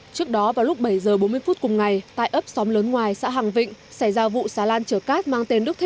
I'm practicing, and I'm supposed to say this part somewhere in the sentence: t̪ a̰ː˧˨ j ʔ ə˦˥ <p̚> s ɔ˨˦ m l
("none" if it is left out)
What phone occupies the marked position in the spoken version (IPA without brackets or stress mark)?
p̚